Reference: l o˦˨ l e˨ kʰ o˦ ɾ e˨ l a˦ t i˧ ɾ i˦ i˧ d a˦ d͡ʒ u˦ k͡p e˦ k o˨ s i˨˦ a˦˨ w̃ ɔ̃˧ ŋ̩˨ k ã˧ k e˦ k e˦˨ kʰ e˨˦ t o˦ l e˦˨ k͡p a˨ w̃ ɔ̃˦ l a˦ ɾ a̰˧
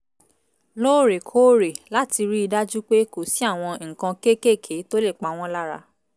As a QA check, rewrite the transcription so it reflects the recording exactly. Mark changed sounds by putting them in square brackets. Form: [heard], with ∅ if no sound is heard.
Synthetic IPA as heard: l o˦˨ [ɾ] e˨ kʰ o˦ ɾ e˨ l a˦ t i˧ ɾ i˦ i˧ d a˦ d͡ʒ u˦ k͡p e˦ k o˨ s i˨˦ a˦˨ w̃ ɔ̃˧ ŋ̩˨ k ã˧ k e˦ k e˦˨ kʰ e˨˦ t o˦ l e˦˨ k͡p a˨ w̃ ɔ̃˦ l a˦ ɾ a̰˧